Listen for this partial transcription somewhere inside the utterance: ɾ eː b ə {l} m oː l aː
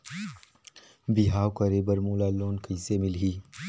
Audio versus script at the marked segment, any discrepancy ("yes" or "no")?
yes